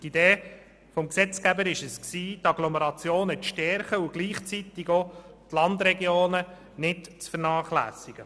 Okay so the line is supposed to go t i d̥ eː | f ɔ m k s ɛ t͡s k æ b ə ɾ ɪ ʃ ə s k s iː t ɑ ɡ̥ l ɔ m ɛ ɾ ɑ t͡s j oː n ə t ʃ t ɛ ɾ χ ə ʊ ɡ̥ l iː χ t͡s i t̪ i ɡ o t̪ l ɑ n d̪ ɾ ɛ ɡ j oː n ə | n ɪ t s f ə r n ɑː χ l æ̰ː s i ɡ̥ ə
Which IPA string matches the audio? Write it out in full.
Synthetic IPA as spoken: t i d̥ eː | f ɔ m k s ɛ t͡s k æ b ə ɾ ɪ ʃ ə s k s iː t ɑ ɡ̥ l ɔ m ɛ ɾ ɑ t͡s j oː n ə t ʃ t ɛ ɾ χ ə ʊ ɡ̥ l iː χ t͡s i t̪ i ɡ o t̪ l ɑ n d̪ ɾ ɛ ɡ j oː n ə | n ɪ t t͡s f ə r n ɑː χ l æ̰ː s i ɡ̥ ə